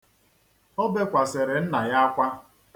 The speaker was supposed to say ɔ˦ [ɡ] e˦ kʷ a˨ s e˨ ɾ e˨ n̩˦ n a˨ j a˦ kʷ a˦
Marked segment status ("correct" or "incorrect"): incorrect